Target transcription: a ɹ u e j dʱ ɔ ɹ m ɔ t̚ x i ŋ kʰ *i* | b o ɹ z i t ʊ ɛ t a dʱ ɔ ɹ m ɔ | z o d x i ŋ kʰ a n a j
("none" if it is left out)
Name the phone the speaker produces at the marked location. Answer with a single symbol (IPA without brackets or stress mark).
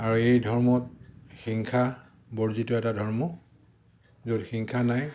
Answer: a